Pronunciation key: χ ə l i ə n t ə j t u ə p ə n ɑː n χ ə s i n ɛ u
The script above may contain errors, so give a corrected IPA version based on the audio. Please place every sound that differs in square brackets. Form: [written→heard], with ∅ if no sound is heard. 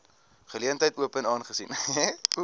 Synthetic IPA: χ ə l i ə n t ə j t u ə p ə n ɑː n χ ə s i n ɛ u